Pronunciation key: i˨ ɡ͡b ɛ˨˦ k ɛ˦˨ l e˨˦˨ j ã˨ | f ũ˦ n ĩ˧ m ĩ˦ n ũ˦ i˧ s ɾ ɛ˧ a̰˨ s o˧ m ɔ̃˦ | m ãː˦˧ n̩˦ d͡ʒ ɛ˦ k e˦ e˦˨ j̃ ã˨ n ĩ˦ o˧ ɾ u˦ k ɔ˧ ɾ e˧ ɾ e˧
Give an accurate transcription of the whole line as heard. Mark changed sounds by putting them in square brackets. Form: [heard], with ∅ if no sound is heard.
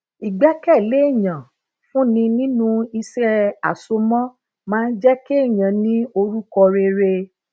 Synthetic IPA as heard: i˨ ɡ͡b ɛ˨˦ k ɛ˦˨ l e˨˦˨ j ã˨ | f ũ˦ n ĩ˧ [n] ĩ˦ n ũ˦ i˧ s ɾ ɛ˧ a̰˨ s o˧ m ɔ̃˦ | m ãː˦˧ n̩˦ d͡ʒ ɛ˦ k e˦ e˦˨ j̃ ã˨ n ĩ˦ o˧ ɾ u˦ k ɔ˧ ɾ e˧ ɾ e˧